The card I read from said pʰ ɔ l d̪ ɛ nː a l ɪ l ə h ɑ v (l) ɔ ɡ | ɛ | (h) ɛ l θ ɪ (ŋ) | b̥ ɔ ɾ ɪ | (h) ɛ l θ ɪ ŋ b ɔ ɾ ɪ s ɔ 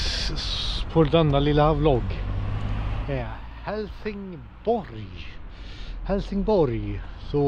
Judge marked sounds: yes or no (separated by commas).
yes, yes, yes, yes